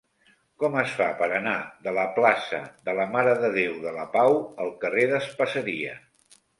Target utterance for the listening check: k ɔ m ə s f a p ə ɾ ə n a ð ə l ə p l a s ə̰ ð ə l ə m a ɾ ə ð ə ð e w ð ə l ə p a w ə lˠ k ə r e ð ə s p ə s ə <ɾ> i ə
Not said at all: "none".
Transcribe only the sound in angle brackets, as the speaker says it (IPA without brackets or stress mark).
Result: ɾ